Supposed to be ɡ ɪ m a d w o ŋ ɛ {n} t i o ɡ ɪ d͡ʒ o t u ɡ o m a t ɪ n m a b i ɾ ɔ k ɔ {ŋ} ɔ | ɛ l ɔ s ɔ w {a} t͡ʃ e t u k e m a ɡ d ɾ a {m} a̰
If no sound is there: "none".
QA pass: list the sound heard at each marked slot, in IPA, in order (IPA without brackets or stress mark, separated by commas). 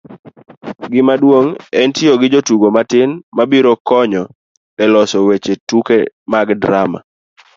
n, ɲ, e, m